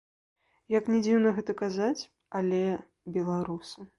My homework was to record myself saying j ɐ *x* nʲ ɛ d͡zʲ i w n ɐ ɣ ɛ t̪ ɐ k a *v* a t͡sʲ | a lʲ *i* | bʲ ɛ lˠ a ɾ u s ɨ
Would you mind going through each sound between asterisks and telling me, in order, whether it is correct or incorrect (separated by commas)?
incorrect, incorrect, incorrect